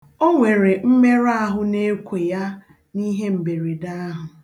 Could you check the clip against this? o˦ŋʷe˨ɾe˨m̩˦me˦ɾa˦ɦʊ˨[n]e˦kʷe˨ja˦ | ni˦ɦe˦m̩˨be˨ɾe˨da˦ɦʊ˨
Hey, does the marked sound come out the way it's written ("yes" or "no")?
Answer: yes